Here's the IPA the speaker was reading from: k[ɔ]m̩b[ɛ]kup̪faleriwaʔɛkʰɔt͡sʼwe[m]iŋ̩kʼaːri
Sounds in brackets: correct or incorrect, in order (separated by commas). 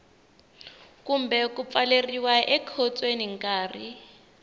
incorrect, correct, incorrect